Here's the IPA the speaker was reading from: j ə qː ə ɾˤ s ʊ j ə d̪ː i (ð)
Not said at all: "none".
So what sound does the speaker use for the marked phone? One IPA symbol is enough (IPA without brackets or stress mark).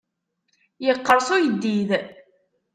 ð